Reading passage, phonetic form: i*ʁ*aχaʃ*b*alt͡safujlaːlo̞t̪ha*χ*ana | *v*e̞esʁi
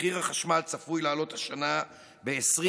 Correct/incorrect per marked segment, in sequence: correct, incorrect, incorrect, incorrect

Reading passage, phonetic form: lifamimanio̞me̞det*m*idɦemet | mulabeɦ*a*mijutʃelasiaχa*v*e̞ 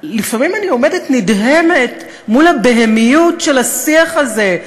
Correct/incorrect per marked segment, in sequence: incorrect, incorrect, incorrect

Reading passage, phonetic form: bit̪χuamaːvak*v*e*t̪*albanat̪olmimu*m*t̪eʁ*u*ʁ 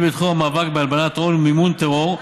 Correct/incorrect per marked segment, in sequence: incorrect, incorrect, incorrect, incorrect

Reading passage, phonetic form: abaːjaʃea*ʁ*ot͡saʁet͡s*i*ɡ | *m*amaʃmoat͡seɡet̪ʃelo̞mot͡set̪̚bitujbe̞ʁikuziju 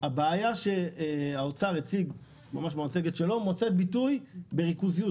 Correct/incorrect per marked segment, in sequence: incorrect, correct, correct

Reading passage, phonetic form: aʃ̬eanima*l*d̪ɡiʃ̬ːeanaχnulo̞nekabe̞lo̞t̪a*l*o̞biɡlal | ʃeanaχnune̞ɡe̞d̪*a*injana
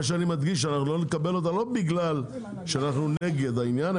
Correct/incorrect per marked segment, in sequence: incorrect, correct, correct

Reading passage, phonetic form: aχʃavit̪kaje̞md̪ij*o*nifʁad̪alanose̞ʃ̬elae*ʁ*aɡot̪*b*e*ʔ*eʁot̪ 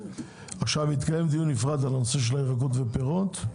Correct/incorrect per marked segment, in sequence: incorrect, correct, incorrect, incorrect

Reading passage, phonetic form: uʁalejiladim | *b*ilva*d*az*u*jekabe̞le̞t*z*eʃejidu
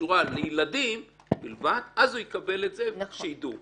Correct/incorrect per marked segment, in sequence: correct, correct, correct, correct

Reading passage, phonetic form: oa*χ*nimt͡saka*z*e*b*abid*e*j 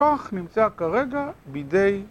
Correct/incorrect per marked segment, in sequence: correct, incorrect, incorrect, correct

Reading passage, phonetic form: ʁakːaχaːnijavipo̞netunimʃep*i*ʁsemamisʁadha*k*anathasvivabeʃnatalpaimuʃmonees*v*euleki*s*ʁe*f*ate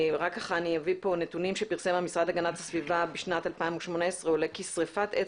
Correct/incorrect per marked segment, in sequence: correct, incorrect, incorrect, correct, correct

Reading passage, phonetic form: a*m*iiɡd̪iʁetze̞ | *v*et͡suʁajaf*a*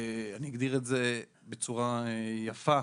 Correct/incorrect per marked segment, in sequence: incorrect, incorrect, correct

